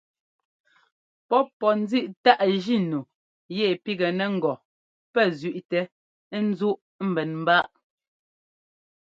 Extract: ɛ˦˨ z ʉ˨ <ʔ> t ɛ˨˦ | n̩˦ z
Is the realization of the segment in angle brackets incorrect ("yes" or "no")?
no